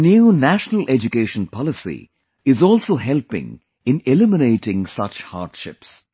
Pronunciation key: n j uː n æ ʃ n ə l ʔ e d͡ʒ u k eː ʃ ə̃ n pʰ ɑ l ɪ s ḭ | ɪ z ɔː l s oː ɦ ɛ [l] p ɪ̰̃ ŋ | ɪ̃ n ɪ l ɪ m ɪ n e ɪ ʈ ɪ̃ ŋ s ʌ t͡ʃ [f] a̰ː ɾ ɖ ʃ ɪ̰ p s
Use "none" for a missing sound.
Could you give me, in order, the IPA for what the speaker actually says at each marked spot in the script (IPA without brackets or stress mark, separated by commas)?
l, h